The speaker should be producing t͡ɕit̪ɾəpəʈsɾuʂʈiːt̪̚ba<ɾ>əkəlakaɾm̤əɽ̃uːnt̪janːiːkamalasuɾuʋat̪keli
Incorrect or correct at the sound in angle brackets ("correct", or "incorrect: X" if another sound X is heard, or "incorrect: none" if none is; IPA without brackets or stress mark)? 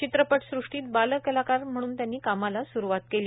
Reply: incorrect: l